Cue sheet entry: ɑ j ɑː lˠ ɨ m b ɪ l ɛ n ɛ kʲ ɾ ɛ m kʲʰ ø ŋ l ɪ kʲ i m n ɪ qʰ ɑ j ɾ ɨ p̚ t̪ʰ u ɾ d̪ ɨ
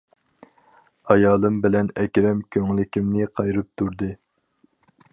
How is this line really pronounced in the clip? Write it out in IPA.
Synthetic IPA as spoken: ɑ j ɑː lˠ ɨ m b ɪ l ɛ n ɛ kʲ ɾ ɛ m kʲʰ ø ŋ l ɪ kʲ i m n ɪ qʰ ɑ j ɾ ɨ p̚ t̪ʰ u ɾ d̪ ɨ